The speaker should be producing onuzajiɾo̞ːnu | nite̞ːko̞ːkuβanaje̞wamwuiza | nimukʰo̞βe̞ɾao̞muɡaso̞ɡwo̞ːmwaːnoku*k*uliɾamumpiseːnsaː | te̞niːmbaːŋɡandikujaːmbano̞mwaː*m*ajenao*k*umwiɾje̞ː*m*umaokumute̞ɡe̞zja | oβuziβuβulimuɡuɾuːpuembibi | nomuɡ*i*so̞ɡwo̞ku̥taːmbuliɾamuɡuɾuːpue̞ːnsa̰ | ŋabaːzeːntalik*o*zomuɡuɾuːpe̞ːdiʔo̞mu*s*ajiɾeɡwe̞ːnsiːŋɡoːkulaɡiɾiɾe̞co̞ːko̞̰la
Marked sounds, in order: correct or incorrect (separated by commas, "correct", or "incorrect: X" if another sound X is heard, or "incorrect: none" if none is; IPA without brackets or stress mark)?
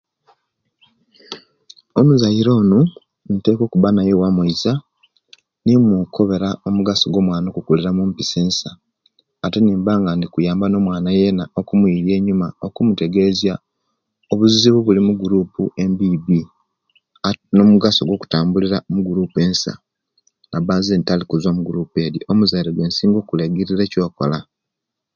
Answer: correct, incorrect: n, correct, incorrect: ɲ, incorrect: a, incorrect: u, incorrect: z